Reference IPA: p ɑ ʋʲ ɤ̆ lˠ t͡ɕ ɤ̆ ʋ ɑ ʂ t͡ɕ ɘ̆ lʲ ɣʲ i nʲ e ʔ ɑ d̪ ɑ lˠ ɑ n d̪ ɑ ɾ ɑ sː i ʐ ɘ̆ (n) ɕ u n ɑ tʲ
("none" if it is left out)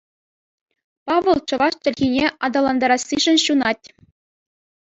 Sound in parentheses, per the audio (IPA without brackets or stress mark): n